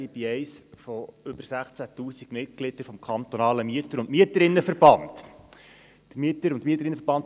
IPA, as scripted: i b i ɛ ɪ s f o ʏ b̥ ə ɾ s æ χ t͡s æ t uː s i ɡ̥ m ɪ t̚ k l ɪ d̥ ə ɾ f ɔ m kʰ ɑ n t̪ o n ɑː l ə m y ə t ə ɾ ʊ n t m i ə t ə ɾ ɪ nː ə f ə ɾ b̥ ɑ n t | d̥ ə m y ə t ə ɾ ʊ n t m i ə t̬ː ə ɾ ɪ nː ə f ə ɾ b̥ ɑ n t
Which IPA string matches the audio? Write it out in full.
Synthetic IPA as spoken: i b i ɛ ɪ s f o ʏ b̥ ə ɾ s æ χ t͡s æ t uː s i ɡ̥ m ɪ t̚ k l ɪ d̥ ə ɾ f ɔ m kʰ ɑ n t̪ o n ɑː l ə m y ə t ə ɾ ʊ n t m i ə t ə ɾ ɪ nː ə f ə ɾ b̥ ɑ n t | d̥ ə m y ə t ə ɾ ʊ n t m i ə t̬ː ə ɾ ɪ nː ə f ə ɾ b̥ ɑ n t